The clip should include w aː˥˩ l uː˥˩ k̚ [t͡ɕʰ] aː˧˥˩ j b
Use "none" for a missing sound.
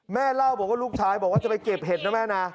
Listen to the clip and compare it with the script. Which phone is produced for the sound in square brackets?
t͡ɕʰ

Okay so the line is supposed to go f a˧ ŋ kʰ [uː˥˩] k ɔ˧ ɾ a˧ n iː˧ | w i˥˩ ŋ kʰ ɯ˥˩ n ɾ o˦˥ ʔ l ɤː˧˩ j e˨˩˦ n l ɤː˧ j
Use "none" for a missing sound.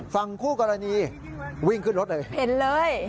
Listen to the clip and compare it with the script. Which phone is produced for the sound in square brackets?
uː˥˩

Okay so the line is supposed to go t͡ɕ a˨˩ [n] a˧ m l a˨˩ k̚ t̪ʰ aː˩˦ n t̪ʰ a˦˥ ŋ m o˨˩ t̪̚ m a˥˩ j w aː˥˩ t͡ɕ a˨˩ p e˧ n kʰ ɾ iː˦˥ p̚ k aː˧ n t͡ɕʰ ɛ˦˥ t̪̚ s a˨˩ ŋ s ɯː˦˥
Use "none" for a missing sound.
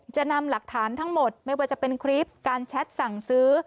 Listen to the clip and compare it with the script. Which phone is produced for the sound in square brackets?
n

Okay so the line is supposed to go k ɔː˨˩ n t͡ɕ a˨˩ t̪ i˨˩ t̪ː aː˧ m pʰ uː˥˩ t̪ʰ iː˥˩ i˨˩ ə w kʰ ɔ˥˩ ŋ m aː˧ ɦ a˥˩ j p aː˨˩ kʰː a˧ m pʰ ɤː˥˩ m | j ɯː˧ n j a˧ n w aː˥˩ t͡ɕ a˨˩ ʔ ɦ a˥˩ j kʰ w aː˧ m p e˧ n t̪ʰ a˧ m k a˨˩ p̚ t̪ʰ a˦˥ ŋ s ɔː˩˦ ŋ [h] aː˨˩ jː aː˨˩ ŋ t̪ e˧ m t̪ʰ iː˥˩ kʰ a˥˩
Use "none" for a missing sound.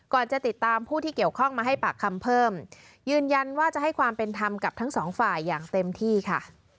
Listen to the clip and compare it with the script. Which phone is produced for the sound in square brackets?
f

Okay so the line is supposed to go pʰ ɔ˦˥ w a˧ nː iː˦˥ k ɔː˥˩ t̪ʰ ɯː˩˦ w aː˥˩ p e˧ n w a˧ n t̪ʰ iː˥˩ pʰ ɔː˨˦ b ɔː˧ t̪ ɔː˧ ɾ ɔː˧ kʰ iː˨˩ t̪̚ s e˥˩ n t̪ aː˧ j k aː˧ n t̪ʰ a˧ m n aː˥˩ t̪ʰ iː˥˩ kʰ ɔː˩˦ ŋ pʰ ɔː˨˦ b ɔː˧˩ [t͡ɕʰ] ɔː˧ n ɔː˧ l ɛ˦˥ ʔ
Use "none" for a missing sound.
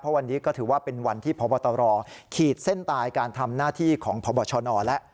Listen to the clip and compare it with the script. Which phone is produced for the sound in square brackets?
t͡ɕʰ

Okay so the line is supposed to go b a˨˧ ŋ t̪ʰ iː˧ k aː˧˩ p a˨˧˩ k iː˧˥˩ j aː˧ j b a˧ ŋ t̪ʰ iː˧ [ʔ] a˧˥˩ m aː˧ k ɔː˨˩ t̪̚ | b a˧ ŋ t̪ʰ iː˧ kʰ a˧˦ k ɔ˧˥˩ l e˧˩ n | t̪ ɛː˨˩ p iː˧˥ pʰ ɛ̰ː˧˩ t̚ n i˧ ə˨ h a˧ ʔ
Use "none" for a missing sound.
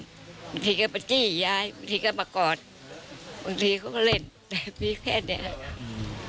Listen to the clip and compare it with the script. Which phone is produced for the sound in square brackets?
k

